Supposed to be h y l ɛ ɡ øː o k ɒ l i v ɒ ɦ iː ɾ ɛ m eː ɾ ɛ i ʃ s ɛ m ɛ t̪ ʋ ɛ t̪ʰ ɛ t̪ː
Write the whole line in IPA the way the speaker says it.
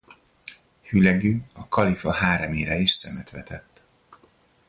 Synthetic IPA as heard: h y l ɛ ɡ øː ɒ k ɒ l i f ɒ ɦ aː ɾ ɛ m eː ɾ ɛ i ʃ s ɛ m ɛ t̪ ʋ ɛ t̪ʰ ɛ t̪ː